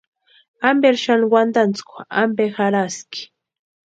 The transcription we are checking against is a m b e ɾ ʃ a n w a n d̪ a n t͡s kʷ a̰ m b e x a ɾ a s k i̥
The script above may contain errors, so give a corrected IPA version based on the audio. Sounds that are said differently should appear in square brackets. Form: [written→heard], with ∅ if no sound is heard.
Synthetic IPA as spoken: a m b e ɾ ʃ a n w a n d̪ a n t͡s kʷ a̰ m b e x a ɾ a s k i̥